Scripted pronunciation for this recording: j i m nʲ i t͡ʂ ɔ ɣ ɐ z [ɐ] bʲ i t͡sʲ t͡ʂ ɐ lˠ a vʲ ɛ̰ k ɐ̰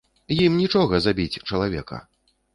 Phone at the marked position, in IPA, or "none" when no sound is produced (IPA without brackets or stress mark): a